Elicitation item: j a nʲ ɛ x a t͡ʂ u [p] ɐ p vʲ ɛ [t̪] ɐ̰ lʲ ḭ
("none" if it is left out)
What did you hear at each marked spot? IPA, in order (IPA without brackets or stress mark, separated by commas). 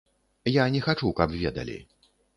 k, d̪